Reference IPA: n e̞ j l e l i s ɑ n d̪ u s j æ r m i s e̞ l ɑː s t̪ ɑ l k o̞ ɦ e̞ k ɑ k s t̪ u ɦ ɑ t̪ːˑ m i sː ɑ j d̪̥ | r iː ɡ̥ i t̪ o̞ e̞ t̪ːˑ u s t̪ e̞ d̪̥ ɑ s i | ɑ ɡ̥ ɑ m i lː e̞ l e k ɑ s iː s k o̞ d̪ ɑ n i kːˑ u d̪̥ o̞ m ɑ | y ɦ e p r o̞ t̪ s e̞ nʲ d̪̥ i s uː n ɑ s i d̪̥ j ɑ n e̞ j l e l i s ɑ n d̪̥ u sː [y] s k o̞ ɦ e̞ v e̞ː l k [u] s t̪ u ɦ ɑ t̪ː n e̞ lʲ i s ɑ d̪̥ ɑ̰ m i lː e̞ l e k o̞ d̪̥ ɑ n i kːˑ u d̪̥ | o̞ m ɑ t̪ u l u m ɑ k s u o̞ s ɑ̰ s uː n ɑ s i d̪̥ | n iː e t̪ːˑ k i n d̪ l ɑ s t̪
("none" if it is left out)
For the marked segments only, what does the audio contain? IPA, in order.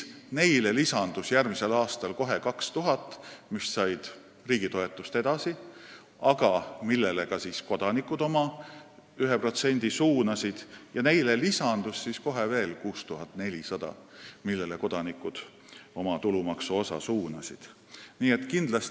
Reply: i, uː

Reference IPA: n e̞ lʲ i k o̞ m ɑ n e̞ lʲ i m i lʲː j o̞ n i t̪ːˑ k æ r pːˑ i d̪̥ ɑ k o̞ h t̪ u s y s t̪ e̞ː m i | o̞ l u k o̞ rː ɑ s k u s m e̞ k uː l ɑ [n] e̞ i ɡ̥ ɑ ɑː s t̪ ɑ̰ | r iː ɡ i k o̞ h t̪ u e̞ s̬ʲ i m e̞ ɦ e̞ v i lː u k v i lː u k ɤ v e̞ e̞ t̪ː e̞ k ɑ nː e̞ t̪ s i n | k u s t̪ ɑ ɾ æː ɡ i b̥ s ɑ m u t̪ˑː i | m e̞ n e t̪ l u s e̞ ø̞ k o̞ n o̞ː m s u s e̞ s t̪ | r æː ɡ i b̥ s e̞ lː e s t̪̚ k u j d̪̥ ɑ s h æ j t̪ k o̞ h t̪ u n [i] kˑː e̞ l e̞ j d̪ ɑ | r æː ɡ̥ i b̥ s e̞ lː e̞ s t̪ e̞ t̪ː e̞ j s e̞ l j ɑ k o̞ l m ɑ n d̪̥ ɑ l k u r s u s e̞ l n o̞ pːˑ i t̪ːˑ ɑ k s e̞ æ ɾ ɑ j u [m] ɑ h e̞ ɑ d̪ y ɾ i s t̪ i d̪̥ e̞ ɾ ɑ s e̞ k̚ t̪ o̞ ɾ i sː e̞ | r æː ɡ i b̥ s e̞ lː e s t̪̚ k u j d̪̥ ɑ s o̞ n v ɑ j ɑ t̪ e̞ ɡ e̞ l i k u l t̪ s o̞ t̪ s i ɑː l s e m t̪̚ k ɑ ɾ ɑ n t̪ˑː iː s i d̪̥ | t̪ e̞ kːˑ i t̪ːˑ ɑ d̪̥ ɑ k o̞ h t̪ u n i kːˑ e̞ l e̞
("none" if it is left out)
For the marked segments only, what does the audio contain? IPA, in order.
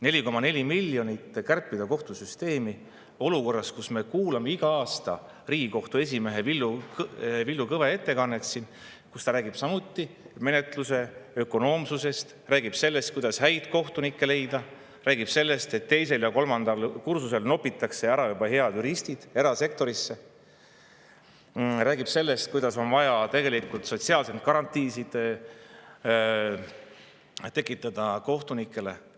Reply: m, i, b

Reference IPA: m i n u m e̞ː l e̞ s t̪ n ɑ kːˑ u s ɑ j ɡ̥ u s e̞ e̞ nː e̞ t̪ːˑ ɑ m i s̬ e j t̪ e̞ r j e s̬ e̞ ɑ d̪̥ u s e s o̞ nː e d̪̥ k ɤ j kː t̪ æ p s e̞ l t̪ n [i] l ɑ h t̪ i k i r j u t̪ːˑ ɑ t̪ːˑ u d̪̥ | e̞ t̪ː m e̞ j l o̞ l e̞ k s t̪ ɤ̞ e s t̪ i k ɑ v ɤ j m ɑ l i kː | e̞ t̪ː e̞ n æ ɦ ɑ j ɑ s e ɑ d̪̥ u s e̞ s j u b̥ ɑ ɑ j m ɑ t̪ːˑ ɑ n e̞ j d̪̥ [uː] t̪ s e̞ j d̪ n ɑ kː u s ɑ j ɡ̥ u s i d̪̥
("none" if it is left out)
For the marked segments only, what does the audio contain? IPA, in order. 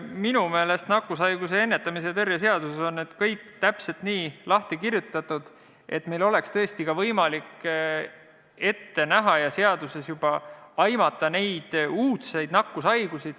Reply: iː, uː

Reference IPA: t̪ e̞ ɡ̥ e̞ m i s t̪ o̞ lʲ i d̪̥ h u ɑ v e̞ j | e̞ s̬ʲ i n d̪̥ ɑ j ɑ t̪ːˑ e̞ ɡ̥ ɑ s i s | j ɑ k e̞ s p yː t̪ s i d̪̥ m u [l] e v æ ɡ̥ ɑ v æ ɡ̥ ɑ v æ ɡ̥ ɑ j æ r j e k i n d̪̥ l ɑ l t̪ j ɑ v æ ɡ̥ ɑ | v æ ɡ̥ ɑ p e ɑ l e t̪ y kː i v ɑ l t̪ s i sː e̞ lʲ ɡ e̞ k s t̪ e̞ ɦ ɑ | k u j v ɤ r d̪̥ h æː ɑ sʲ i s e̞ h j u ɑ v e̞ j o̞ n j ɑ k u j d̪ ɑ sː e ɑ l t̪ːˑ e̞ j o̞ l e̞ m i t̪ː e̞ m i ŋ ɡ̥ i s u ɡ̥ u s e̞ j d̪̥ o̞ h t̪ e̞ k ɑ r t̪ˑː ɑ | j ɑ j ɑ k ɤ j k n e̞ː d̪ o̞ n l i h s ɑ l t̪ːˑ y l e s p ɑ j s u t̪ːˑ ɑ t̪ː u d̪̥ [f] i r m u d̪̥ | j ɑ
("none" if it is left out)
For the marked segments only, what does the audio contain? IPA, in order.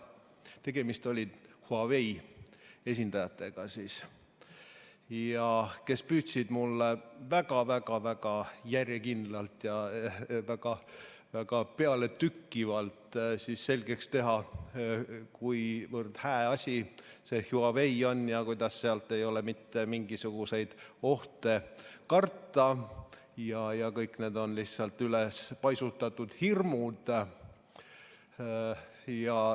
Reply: lː, h

